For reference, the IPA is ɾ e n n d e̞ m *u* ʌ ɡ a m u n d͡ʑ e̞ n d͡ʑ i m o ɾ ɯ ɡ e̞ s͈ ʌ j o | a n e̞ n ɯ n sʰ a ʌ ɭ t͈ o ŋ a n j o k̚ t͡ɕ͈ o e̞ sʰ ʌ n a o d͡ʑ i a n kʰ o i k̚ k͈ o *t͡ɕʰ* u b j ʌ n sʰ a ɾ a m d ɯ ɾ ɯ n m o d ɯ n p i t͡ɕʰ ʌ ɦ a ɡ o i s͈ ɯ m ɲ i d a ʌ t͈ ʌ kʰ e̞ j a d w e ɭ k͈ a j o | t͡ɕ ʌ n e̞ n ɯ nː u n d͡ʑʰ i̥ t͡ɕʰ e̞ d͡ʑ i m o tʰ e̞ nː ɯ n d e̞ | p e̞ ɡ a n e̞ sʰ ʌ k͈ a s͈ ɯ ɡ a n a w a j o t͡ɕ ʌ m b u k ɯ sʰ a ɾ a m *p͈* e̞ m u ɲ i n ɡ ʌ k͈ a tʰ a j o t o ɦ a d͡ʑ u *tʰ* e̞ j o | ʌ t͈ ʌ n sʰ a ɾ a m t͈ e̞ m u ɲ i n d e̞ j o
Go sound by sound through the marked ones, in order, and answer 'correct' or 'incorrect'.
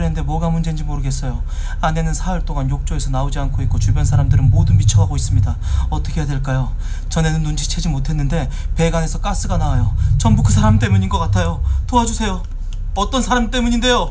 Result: incorrect, incorrect, incorrect, incorrect

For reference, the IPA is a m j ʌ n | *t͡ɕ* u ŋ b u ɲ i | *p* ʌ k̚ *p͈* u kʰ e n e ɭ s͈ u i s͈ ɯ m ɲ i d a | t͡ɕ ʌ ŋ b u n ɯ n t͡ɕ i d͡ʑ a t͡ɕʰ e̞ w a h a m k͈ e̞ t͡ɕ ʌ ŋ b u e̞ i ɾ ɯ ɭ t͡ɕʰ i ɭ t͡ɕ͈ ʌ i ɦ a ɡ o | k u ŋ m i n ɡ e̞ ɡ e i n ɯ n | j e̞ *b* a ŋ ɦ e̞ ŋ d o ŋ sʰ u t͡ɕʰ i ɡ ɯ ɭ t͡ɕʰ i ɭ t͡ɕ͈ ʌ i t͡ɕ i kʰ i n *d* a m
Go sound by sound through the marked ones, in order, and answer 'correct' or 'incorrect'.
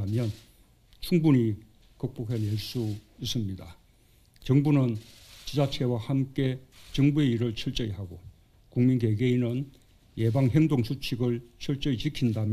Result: incorrect, incorrect, correct, correct, correct

